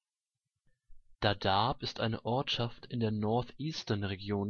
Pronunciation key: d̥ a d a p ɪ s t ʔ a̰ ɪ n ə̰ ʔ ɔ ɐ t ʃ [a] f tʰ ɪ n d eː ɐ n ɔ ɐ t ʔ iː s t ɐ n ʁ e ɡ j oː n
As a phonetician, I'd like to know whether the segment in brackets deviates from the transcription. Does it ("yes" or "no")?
no